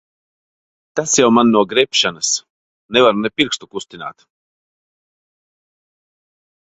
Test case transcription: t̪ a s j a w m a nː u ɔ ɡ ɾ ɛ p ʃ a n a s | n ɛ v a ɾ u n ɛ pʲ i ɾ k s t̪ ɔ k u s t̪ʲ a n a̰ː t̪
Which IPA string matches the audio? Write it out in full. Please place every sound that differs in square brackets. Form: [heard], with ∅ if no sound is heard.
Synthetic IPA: t̪ a s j a w m a nː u ɔ ɡ ɾ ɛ p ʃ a n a s | n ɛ v a ɾ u n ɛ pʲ i ɾ k s t̪ [u] k u s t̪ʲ [i] n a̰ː t̪